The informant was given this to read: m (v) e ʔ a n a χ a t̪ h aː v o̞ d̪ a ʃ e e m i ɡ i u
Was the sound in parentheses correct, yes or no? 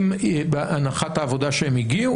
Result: no